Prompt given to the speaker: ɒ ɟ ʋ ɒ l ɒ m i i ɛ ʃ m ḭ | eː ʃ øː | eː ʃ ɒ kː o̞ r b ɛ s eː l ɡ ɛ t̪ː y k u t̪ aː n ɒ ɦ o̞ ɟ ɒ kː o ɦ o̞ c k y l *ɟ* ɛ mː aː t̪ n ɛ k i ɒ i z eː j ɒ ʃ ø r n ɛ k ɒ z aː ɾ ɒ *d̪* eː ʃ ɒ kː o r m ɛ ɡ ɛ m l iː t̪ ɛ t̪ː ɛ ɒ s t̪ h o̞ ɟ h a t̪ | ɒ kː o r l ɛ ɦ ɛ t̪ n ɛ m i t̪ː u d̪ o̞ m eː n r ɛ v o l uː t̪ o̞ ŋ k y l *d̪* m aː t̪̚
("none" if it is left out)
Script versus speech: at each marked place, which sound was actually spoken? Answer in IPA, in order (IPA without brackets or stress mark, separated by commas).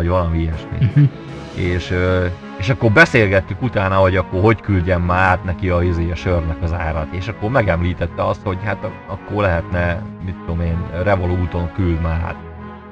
ɟ, t̪, d̪